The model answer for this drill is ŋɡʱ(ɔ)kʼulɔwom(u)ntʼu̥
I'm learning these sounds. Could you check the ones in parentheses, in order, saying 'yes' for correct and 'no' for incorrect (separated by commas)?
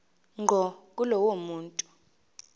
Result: yes, no